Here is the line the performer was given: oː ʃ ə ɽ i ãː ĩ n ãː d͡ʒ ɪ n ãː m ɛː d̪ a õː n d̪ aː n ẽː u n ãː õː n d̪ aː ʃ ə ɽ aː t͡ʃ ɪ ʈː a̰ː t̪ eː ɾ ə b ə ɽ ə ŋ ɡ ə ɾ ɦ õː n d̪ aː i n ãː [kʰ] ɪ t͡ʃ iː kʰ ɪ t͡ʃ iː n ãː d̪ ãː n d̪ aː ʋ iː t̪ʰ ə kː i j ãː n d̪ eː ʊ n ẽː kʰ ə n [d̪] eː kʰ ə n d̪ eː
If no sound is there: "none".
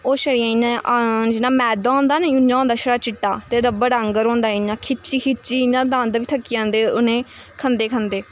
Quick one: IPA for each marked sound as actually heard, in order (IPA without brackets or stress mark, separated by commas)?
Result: kʰ, d̪